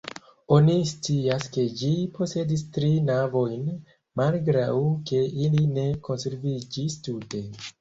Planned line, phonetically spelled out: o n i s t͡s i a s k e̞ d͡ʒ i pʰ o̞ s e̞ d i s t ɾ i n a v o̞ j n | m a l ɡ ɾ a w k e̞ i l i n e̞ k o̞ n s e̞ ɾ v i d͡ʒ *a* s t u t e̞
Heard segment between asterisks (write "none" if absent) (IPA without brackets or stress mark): i